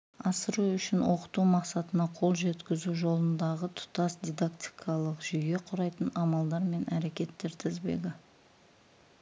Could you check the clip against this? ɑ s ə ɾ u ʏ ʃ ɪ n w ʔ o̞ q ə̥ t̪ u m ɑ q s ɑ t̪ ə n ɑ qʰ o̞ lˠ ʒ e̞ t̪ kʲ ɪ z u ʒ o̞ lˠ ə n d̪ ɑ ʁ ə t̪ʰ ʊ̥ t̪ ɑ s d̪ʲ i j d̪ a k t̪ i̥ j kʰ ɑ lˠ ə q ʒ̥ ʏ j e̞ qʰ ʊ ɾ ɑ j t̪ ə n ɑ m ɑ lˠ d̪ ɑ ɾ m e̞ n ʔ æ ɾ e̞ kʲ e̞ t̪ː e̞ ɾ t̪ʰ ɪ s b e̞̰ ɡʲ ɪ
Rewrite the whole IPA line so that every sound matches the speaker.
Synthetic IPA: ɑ s ə ɾ u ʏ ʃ ɪ n w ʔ o̞ q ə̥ t̪ u m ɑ q s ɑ t̪ ə n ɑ qʰ o̞ lˠ ʒ e̞ t̪ kʲ ɪ z u ʒ o̞ lˠ ə n d̪ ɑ ʁ ə t̪ʰ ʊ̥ t̪ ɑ s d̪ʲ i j d̪ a k t̪ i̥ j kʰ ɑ lˠ ə q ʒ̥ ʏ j e̞ qʰ ʊ ɾ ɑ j t̪ ə n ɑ m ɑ lˠ d̪ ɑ ɾ m e̞ n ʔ æ ɾ e̞ kʲ e̞ t̪ː e̞ ɾ t̪ʰ ɪ z b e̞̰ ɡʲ ɪ